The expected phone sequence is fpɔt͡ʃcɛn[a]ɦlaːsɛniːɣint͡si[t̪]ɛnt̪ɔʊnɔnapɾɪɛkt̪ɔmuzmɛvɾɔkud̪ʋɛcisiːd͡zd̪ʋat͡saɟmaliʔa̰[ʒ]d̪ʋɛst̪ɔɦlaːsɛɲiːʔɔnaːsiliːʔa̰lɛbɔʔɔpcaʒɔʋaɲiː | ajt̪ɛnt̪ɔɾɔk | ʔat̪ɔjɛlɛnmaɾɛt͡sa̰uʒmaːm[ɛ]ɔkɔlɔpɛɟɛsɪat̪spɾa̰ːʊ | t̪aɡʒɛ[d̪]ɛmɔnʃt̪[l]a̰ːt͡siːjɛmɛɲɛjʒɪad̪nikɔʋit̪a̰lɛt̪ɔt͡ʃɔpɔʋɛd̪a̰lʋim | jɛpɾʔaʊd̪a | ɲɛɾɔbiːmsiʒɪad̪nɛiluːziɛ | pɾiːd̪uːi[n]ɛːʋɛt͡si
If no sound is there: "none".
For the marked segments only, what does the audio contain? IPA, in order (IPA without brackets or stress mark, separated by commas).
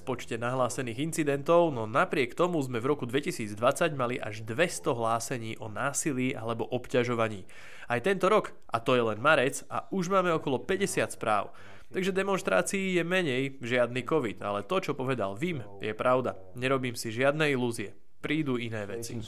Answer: a, d̪, ʒ, ɛ, d̪, ɾ, n